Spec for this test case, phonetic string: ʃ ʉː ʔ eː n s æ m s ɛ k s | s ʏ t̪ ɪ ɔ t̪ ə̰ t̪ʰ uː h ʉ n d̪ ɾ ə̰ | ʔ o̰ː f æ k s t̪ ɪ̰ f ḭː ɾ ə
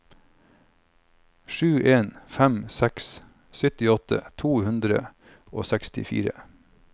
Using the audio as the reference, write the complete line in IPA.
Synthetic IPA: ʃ ʉː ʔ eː n f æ m s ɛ k s | s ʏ t̪ ɪ ɔ t̪ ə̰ t̪ʰ uː h ʉ n d̪ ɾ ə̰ | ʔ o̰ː s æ k s t̪ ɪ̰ f ḭː ɾ ə